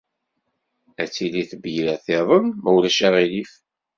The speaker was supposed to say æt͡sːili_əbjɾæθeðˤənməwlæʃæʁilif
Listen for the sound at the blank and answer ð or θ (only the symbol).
θ